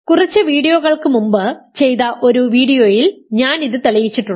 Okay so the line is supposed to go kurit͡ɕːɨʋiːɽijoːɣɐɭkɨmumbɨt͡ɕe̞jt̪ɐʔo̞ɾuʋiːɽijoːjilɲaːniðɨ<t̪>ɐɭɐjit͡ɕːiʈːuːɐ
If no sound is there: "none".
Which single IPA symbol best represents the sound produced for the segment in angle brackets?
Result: t̪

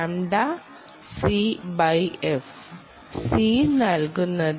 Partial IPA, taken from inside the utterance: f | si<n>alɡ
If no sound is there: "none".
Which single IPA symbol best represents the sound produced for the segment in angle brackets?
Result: n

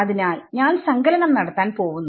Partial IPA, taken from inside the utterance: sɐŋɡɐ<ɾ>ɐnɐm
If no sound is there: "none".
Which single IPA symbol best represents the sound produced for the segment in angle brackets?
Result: l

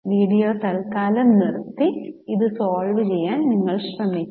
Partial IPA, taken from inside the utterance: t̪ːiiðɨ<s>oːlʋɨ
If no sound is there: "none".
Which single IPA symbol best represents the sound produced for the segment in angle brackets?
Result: s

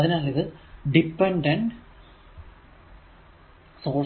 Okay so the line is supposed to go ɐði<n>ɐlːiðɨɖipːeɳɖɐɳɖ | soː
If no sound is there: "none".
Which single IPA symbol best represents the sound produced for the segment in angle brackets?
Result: n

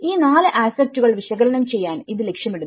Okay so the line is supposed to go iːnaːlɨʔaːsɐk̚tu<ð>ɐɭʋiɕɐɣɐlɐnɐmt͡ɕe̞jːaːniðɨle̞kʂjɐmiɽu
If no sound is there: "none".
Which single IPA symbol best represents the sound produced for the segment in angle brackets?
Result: ɣ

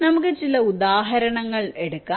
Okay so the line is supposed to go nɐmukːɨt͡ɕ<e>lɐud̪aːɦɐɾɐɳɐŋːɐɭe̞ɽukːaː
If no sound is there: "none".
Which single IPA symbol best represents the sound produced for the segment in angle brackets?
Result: i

